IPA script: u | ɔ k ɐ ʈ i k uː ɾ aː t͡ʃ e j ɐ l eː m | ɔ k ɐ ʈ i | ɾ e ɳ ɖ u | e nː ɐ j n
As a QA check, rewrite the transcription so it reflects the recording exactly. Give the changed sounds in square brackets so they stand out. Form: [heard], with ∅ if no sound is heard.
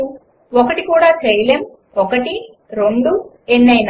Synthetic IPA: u | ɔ k ɐ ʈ i k uː [ɽ] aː t͡ʃ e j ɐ l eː m | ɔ k ɐ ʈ i | ɾ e ɳ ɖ u | e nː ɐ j n